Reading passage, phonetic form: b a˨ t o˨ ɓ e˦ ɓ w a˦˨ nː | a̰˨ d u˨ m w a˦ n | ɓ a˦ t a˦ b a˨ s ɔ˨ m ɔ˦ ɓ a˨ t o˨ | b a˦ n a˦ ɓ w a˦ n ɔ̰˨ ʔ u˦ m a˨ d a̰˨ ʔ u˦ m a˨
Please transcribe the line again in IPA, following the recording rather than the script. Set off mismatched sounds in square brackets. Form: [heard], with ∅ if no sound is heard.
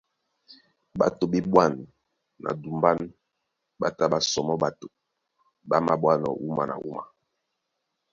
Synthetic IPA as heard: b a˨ t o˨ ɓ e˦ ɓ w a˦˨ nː | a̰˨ d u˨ m [b] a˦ n | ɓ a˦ t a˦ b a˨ s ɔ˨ m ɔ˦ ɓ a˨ t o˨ | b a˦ [m] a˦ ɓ w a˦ n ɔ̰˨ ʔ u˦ m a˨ [n] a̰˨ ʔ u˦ m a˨